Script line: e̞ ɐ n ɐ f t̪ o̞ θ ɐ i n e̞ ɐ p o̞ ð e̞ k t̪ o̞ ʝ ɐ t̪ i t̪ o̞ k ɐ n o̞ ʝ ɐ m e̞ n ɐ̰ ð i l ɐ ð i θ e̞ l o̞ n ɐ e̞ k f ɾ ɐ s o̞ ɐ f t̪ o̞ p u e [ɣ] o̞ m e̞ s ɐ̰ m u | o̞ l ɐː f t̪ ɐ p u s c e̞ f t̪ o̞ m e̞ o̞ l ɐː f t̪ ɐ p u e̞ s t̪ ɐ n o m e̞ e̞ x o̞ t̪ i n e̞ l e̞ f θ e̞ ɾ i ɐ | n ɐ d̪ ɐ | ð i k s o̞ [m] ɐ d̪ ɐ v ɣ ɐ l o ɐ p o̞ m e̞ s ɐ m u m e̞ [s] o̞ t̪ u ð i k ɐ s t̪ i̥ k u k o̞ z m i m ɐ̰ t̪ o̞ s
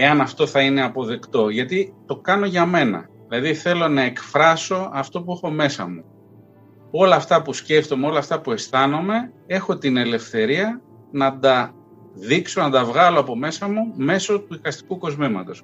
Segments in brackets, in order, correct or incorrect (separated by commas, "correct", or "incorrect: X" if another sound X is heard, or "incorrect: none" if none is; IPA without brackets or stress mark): incorrect: x, incorrect: n, correct